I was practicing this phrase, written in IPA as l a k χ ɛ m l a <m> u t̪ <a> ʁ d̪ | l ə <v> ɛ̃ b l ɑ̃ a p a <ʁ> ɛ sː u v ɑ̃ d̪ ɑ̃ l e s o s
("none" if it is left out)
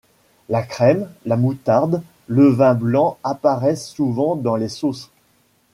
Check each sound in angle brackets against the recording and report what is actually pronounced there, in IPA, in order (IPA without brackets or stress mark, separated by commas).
m, a, v, ʁ